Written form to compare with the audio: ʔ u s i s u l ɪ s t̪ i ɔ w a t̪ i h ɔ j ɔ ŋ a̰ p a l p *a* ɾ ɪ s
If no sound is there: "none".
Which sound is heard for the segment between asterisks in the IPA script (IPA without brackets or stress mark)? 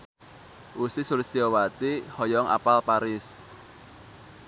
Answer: a